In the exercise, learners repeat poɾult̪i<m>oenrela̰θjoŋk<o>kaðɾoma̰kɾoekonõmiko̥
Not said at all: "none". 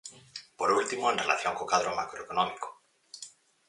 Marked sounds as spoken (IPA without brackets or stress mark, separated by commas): m, o